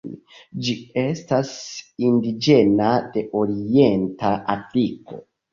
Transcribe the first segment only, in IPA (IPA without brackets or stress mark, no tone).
d͡ʒ